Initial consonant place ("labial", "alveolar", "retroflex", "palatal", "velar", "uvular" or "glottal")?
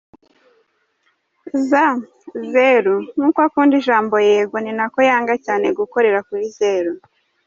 alveolar